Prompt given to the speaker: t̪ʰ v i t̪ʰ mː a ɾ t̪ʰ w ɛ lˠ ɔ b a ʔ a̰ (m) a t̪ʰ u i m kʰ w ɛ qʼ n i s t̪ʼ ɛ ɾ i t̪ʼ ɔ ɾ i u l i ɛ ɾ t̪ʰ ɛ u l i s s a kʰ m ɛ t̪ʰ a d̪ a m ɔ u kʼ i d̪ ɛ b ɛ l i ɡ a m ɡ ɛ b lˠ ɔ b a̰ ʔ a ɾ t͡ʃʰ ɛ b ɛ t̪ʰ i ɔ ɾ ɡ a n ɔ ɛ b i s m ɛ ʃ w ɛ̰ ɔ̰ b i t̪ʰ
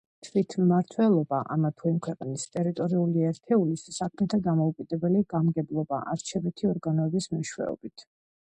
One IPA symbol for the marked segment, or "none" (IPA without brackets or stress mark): m